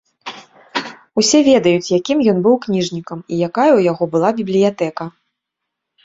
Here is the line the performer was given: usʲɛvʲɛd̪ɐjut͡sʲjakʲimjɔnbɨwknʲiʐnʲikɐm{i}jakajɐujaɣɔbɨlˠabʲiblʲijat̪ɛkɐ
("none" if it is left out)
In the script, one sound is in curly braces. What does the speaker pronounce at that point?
i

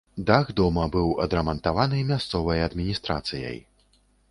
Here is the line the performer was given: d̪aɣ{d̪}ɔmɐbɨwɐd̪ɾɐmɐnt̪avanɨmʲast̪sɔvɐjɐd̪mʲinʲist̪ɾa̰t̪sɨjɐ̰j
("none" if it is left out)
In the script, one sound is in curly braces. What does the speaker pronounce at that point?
d̪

